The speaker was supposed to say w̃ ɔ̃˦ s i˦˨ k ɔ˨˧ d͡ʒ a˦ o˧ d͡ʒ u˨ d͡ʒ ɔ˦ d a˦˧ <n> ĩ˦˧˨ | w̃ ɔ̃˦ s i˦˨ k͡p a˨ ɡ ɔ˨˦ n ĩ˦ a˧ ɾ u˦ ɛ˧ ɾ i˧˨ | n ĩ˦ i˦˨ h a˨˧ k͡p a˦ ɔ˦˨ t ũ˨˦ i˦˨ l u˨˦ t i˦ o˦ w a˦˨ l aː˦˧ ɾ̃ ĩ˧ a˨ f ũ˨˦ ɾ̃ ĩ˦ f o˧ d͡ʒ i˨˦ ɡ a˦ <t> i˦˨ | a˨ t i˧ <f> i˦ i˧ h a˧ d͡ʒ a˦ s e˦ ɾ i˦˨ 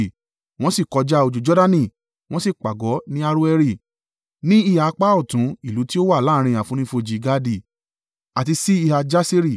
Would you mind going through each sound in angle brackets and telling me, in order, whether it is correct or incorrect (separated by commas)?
correct, incorrect, incorrect